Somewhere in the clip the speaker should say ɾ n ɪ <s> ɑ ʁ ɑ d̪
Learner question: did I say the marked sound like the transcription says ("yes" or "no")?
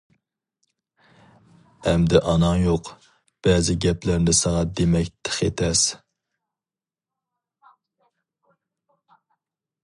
yes